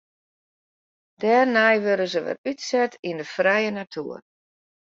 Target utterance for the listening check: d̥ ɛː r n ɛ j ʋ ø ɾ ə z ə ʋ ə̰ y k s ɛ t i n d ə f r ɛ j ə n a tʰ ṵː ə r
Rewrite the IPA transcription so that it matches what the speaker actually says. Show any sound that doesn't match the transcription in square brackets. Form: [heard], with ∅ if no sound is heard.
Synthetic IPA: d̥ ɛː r n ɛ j ʋ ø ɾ ə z ə ʋ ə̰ y [t] s ɛ t i n d ə f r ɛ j ə n a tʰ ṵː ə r